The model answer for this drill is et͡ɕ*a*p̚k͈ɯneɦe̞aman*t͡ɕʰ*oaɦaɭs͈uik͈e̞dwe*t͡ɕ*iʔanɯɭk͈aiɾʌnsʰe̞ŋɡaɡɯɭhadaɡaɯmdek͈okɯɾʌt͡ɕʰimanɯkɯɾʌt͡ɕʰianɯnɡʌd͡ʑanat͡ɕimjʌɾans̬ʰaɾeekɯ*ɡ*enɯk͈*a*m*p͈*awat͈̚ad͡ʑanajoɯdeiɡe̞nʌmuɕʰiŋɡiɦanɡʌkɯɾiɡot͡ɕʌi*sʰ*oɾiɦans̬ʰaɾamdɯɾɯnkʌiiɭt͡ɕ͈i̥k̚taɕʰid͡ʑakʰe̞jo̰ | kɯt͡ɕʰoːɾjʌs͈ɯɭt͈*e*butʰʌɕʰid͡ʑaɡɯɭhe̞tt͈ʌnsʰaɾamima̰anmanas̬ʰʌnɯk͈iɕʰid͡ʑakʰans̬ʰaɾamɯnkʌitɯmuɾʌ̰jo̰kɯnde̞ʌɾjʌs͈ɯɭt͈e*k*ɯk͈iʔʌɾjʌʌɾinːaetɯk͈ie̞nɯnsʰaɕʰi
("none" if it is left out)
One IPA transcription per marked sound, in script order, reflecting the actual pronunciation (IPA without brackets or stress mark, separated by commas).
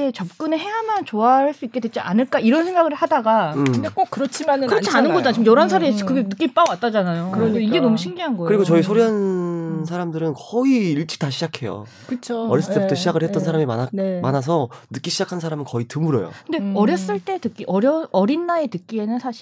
ʌ, t͡ɕ, t͡ɕ, ɡ, i, p͈, sʰ, e, t